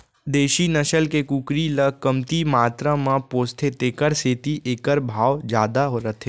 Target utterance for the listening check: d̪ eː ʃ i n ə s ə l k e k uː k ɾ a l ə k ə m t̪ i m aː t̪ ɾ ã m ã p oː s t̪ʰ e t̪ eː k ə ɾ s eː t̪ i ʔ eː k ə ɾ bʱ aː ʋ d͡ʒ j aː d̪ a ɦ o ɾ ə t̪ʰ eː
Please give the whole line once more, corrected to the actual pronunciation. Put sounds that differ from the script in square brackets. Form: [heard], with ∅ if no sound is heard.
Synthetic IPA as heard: d̪ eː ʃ i n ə [ʃ] ə l k e k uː k ɾ [i] l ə k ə m t̪ i m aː t̪ ɾ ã m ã p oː s t̪ʰ e t̪ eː k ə ɾ s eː t̪ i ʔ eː k ə ɾ bʱ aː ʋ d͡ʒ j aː d̪ a ɦ o ɾ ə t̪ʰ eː